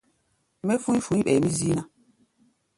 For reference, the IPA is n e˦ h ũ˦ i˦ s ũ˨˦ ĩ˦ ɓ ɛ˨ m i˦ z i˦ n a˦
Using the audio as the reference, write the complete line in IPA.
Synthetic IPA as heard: m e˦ f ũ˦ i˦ f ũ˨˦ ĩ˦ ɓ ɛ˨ m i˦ z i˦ n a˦